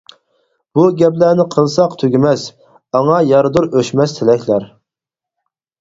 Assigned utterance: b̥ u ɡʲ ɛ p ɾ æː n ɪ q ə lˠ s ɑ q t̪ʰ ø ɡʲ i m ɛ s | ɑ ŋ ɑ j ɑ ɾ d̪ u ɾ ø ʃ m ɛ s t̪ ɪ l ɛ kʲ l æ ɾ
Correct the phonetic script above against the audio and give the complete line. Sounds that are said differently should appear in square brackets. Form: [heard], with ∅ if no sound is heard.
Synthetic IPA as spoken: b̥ u ɡʲ ɛ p [l] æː n ɪ [qʰ] ə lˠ s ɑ q t̪ʰ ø ɡʲ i m ɛ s | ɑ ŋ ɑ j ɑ ɾ d̪ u ɾ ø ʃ m ɛ s [t̪ʰ] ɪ l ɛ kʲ l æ ɾ